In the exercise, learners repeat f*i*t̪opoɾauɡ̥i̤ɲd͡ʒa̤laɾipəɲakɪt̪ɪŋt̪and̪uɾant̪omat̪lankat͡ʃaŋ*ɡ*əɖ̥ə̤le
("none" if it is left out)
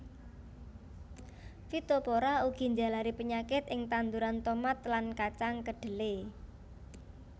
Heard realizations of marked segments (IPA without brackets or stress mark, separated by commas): i, k